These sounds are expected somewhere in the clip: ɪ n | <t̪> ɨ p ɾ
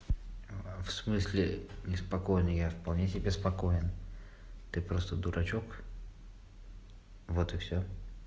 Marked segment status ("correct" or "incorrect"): correct